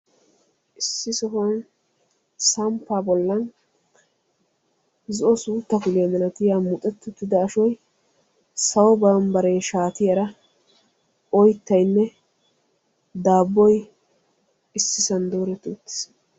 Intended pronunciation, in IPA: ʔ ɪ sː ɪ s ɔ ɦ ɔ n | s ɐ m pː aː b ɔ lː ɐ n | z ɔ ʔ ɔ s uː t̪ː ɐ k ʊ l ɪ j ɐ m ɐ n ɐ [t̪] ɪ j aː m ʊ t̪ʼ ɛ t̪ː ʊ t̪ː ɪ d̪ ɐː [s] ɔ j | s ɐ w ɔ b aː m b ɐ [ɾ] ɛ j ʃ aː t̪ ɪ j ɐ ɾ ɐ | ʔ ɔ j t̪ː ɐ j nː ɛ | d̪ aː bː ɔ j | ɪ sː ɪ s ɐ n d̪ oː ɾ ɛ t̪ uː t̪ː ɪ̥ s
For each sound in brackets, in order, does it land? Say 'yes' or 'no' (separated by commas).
yes, no, yes